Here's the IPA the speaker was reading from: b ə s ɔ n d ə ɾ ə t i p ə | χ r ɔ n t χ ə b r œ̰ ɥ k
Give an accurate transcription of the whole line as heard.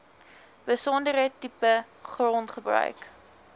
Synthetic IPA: b ə s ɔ n d ə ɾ ə t i p ə | χ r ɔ n t χ ə b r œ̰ ɥ k